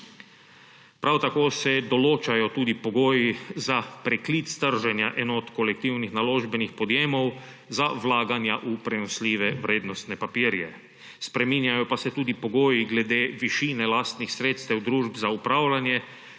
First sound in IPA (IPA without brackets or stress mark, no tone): p